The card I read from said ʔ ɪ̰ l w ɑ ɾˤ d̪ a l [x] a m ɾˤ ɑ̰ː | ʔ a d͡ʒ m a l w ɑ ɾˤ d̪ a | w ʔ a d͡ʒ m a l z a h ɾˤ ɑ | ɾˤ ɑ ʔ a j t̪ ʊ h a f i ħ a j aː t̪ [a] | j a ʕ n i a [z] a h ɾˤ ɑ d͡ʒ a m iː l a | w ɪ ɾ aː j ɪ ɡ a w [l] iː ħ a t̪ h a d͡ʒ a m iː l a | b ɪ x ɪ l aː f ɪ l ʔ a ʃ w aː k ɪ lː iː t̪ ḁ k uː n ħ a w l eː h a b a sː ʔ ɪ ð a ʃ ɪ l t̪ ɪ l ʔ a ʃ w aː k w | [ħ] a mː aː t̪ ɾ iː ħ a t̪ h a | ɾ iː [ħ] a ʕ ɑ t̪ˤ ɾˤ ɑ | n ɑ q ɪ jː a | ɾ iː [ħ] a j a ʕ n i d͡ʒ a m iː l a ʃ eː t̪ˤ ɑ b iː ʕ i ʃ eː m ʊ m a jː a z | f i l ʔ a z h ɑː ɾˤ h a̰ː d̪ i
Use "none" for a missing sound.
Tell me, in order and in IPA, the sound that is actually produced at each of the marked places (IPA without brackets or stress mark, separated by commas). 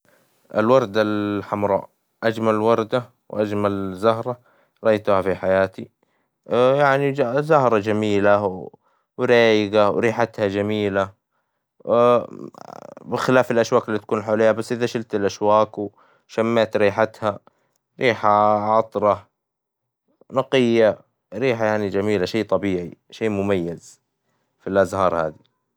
ħ, i, z, ɾ, ʃ, ħ, ħ